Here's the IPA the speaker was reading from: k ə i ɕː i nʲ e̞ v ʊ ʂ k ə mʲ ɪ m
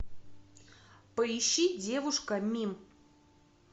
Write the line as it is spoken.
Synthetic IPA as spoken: p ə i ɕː i dʲ e̞ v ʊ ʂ k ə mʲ i m